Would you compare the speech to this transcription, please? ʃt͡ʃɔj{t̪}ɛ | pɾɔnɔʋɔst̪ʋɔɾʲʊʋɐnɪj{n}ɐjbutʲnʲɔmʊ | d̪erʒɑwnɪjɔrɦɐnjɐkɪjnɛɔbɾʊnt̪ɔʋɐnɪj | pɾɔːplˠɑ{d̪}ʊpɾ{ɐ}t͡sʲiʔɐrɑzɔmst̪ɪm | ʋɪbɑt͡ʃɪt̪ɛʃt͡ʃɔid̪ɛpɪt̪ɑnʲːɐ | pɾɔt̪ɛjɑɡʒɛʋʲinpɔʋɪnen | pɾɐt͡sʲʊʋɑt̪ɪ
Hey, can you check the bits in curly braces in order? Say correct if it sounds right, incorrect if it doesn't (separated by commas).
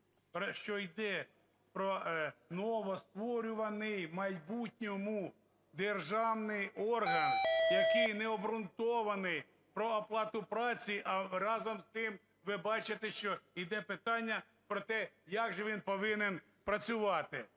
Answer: incorrect, incorrect, incorrect, incorrect